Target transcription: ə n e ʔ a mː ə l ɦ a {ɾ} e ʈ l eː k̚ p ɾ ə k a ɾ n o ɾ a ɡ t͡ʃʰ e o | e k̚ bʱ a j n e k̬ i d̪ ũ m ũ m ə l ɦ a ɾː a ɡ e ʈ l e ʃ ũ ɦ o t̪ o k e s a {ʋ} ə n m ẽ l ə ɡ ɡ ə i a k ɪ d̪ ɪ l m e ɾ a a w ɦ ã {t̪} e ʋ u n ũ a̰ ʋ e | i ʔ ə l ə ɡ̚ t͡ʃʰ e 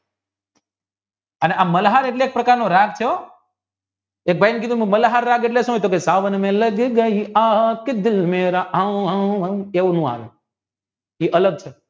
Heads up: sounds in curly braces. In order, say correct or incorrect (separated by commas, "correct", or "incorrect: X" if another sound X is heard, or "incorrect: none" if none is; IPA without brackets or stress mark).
correct, correct, incorrect: none